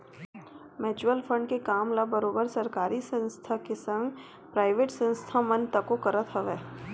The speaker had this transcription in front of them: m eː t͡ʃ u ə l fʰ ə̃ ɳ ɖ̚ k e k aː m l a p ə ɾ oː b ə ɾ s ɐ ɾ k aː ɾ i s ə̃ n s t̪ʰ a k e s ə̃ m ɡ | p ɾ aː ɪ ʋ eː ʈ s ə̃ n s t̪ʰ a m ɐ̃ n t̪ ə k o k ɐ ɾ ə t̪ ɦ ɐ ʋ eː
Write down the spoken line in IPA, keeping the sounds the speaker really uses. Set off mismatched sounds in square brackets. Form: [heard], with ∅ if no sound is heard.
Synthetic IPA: m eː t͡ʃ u ə l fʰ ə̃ ɳ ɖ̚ k e k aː m l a [b] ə ɾ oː b ə ɾ s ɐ ɾ k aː ɾ i s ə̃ n s t̪ʰ a k e s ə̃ [ŋ] ɡ | p ɾ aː ɪ ʋ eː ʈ s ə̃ n s t̪ʰ a m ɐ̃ n t̪ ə k o k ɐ ɾ ə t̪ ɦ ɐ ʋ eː